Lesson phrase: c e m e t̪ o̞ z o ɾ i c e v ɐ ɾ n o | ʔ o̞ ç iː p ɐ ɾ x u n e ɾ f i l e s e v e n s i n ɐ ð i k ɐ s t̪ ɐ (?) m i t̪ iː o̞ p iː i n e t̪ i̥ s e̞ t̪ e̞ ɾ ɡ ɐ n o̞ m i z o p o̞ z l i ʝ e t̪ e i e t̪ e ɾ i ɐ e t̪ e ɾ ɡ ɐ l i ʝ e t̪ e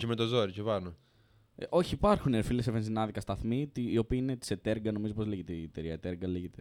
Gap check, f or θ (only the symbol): θ